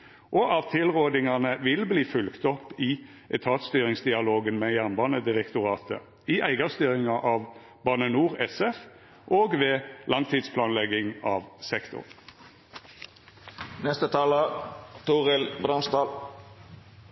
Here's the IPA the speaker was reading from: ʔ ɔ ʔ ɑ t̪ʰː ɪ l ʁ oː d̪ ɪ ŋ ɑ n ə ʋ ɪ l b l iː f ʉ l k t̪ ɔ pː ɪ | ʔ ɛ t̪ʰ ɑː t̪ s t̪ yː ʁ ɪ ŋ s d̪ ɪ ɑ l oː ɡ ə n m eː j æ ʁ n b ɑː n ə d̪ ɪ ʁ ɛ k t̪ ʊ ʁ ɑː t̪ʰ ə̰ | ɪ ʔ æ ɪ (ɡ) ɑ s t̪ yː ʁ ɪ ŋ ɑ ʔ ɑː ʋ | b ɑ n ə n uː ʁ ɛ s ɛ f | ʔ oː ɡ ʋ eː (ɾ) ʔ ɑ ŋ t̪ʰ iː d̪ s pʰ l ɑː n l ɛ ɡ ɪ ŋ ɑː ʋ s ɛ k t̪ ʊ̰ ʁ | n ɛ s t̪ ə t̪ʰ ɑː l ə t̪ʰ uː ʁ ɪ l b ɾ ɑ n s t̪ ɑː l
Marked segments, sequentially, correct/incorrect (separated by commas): correct, incorrect